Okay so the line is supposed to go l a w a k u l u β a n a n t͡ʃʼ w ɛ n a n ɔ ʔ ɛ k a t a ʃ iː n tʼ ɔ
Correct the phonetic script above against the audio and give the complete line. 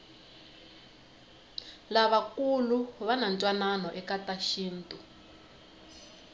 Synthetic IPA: l a β a k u l u β a n a n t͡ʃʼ w a n a n ɔ ʔ ɛ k a t a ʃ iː n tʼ u